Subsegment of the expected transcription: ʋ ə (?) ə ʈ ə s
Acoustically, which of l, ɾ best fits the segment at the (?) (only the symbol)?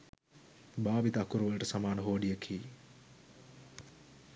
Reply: l